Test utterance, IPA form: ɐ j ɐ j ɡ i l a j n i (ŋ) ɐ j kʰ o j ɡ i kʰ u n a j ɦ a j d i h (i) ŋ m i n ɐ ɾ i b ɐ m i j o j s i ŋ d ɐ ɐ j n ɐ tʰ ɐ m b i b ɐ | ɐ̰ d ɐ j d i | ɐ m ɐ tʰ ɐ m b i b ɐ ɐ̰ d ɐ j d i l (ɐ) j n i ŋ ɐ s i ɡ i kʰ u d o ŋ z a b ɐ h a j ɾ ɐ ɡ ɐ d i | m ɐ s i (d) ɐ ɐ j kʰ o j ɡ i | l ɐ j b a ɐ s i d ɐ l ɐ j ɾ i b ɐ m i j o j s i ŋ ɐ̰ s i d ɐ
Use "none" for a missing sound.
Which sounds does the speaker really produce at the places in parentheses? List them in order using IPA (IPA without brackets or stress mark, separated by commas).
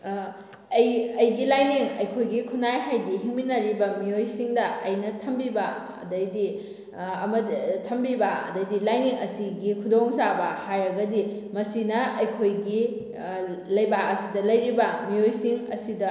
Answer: ŋ, i, a, n